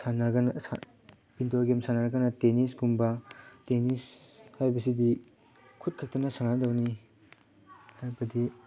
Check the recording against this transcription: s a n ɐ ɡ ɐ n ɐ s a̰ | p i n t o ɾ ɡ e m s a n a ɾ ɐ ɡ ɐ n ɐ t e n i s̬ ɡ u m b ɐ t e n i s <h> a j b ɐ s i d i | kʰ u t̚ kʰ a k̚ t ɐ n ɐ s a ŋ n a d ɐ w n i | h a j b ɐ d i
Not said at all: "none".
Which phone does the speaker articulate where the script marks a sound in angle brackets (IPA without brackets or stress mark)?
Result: h